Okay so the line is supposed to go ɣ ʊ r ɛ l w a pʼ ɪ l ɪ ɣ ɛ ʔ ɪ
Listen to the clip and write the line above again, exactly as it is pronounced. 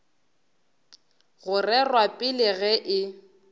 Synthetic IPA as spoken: ɣ ʊ r ɛ r w a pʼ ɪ l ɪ ɣ ɛ ʔ ɪ